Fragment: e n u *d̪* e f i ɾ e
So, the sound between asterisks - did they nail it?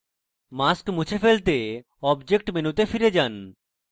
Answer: no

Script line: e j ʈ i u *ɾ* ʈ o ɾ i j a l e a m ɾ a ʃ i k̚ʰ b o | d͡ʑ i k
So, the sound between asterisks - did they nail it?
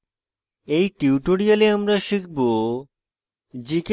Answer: no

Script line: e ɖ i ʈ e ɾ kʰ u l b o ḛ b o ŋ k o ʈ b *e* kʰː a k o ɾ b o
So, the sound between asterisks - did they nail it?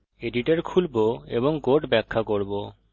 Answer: no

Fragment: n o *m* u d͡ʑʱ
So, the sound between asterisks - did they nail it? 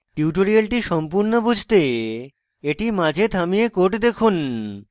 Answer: no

